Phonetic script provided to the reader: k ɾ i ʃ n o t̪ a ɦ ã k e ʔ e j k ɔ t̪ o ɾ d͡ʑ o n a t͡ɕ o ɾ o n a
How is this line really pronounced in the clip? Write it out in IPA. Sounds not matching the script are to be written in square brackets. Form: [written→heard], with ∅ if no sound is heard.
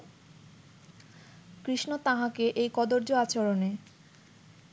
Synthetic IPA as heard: k ɾ i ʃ n o t̪ a ɦ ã k e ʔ e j k ɔ [t̪→d̪] o ɾ d͡ʑ o [n→∅] a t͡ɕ o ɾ o n [a→e]